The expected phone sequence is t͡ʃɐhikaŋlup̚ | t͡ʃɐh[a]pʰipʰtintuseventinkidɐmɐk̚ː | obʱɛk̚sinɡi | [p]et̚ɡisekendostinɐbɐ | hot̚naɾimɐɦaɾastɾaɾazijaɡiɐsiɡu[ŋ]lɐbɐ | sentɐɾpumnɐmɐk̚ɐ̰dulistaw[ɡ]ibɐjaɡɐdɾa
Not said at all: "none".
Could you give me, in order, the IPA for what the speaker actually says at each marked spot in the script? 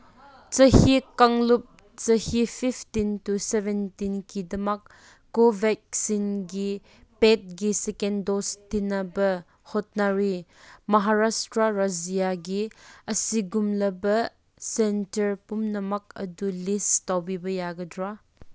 i, p, m, b

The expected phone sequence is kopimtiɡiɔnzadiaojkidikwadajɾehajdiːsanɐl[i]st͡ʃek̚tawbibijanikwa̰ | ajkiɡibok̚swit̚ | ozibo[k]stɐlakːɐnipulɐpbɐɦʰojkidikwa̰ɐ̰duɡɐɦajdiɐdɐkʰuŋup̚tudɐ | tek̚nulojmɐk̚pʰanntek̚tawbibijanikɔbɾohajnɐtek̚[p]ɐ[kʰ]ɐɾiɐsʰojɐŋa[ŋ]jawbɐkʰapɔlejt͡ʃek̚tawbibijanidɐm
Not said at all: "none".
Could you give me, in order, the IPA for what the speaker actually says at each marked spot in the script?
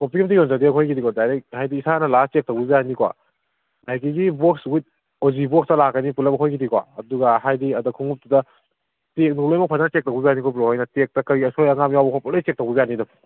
a, k, t, k, m

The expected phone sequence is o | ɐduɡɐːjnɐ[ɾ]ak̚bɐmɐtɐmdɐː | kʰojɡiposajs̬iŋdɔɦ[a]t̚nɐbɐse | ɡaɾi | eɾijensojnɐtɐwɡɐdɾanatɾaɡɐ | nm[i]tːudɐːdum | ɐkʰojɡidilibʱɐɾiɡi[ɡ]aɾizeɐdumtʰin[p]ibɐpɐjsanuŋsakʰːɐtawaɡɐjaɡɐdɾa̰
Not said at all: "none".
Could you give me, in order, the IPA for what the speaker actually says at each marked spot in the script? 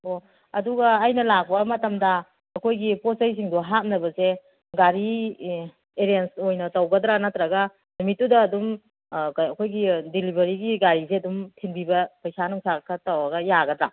l, a, i, ɡ, b

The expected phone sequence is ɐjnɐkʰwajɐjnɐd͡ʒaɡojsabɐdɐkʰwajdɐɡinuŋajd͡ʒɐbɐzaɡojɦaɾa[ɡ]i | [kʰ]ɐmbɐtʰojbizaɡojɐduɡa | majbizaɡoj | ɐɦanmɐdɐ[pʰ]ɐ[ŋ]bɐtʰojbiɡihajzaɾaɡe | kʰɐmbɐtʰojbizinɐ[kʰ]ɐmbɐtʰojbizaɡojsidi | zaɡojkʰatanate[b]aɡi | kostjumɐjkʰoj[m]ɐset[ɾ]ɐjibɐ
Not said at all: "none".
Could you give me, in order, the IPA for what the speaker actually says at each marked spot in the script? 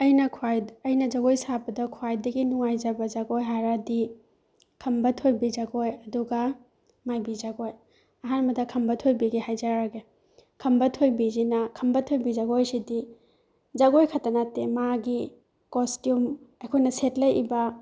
d, kʰ, kʰ, m, kʰ, m, n, l

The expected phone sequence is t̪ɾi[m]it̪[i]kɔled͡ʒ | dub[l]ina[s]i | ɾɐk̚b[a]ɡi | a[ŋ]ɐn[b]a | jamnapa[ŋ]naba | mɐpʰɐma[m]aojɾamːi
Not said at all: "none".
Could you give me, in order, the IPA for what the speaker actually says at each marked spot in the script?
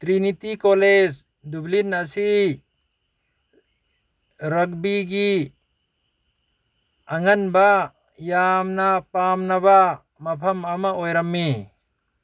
n, i, l, s, i, ŋ, b, m, m

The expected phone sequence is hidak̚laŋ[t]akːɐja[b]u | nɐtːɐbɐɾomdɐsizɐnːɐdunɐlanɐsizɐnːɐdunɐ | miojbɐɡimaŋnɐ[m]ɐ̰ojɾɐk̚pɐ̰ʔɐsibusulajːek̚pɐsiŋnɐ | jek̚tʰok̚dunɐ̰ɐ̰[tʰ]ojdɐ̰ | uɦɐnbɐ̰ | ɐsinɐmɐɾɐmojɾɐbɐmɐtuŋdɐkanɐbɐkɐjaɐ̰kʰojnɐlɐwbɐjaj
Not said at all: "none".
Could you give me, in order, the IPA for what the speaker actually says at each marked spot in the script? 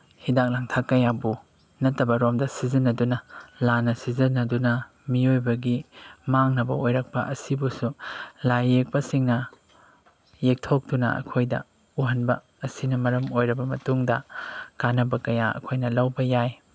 tʰ, b, b, kʰ

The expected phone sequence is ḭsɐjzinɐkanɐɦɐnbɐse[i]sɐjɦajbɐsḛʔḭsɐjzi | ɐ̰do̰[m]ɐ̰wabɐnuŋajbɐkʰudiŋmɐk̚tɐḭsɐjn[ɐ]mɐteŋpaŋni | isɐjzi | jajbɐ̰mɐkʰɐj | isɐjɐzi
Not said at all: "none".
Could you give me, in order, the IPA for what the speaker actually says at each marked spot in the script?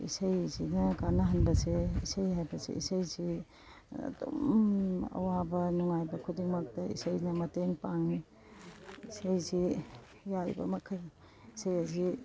i, m, ɐ

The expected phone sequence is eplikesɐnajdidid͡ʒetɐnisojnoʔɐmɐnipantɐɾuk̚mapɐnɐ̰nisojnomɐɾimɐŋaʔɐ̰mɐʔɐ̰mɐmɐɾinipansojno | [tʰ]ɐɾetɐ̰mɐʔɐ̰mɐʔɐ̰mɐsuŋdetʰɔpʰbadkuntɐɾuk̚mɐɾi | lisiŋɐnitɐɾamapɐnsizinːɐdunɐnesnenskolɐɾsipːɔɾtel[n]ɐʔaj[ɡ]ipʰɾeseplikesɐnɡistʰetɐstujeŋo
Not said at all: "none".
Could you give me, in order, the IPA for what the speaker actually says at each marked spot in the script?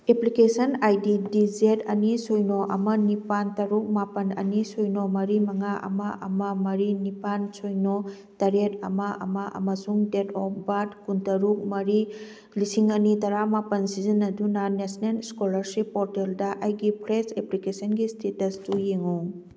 t, d, ɡ

